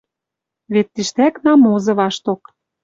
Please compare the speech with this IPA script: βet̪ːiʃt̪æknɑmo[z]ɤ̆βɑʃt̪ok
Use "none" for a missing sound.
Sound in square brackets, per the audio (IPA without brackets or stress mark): z